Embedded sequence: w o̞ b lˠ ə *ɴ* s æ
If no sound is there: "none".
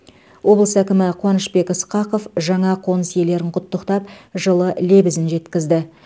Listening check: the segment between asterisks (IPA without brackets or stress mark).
none